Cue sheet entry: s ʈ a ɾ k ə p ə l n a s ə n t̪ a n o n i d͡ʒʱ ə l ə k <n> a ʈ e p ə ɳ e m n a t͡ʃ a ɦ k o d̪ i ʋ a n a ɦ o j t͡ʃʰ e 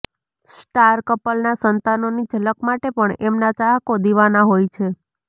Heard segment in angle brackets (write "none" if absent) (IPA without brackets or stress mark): m